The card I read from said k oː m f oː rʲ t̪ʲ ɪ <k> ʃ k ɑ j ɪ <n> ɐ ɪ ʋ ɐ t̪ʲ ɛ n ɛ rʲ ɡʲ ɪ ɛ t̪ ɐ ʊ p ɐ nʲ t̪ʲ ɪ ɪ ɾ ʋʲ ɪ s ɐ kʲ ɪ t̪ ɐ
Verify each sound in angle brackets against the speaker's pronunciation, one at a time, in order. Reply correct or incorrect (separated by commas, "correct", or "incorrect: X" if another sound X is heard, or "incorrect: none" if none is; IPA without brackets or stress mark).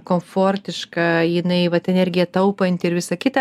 incorrect: none, correct